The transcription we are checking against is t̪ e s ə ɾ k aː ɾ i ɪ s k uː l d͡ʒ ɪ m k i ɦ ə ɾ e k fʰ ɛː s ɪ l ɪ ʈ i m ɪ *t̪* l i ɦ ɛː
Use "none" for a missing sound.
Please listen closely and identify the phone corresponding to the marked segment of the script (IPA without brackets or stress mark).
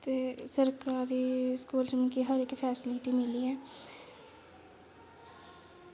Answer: none